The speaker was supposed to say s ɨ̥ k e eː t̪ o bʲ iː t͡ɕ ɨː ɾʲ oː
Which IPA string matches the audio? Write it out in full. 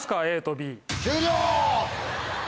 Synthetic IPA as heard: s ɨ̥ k a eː t̪ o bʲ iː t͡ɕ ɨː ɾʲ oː